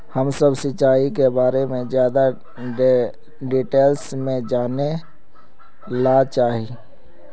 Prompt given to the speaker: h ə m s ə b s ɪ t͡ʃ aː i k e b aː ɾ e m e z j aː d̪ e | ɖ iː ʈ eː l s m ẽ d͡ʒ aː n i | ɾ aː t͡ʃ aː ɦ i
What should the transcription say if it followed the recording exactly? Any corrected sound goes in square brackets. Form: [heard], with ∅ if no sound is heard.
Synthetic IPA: h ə m s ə b s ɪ t͡ʃ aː i k e b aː ɾ e m [ẽ] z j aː d̪ [a] | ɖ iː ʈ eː l s m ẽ d͡ʒ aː n [e] | [l] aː t͡ʃ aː ɦ i